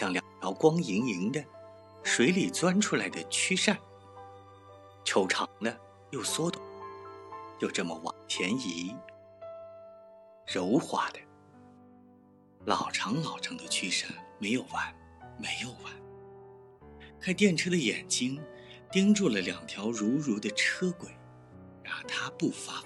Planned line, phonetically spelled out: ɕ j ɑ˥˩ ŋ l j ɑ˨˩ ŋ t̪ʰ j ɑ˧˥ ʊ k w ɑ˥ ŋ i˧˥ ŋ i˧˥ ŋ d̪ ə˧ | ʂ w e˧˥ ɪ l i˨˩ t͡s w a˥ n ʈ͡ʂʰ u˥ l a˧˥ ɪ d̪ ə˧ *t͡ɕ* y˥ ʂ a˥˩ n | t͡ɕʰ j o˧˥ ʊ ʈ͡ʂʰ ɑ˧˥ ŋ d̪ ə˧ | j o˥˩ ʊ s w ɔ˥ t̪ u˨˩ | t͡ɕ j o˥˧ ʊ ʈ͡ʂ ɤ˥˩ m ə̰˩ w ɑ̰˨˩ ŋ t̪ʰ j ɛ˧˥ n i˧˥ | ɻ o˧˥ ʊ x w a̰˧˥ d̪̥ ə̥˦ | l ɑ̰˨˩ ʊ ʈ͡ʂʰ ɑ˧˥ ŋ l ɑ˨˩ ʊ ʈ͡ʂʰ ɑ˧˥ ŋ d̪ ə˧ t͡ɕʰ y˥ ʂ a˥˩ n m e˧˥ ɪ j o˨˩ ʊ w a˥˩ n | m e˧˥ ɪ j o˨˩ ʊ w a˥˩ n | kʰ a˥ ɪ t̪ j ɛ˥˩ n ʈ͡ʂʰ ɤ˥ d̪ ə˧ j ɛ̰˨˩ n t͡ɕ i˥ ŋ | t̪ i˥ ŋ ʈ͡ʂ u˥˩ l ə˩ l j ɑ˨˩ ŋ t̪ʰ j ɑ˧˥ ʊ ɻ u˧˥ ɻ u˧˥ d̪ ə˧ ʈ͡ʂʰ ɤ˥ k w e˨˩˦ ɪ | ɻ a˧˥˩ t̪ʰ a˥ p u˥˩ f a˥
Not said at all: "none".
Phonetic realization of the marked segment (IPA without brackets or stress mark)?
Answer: t͡ɕʰ